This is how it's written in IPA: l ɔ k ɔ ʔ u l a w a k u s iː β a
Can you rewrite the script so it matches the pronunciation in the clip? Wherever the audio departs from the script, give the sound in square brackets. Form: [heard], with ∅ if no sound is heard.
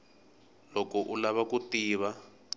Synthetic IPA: l ɔ k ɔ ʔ u l a [β] a k u [t] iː β a